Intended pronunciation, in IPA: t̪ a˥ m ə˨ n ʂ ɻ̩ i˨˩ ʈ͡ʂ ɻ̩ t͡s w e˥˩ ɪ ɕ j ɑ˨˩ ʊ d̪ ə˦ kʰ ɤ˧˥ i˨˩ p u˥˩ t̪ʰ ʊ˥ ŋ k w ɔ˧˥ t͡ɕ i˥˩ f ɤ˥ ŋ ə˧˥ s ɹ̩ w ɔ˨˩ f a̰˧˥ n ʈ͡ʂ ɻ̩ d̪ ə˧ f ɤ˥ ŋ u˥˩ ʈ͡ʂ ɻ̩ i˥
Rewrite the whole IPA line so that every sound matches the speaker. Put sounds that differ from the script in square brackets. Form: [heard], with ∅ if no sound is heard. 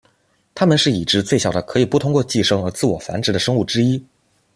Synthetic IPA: [t̪ʰ] a˥ m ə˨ n ʂ ɻ̩ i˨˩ ʈ͡ʂ ɻ̩ t͡s w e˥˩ ɪ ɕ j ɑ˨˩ ʊ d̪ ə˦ kʰ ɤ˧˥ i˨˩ p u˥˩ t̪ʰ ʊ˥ ŋ k w [ɔ˥˧] t͡ɕ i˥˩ [ʂ] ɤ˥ ŋ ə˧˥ [t͡s] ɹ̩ w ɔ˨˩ f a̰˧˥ n ʈ͡ʂ ɻ̩ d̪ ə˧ [ʂ] ɤ˥ ŋ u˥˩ ʈ͡ʂ ɻ̩ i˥